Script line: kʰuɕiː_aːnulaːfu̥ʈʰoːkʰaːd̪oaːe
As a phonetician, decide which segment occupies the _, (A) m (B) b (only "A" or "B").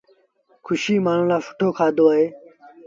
A